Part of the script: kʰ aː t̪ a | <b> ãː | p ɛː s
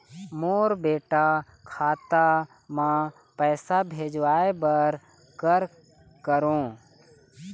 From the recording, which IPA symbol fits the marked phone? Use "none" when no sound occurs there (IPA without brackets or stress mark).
m